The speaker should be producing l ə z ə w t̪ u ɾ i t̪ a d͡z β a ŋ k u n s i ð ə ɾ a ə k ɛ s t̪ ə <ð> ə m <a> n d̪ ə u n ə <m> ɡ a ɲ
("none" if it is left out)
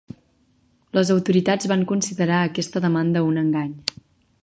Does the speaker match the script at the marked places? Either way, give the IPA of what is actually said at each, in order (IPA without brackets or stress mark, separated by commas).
ð, a, ŋ